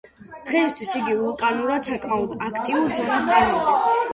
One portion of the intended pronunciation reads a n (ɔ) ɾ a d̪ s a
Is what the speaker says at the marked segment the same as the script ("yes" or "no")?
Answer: no